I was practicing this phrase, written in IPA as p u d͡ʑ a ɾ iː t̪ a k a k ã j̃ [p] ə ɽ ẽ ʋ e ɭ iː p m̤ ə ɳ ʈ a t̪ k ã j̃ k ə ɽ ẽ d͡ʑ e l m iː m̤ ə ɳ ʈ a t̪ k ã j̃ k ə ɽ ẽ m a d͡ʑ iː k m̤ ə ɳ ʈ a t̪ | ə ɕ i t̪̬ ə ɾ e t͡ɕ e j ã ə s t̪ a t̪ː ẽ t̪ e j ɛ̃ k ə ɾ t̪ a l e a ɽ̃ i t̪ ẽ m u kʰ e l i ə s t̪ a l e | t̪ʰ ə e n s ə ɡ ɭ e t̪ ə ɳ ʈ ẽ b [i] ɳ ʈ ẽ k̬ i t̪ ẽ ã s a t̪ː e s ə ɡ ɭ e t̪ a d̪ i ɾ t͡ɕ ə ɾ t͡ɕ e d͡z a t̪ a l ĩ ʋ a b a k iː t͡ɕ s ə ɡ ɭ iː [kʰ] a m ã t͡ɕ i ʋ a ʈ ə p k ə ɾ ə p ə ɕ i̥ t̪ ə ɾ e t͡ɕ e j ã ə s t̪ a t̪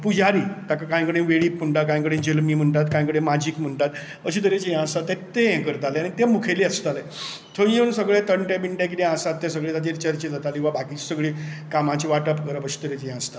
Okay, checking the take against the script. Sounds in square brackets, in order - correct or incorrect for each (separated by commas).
incorrect, correct, incorrect